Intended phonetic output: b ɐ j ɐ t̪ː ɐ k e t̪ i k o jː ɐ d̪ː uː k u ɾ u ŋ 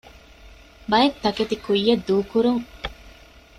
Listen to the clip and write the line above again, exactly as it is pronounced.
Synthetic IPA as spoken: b ɐ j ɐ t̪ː ɐ k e t̪ i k u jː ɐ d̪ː uː k u ɾ u ŋ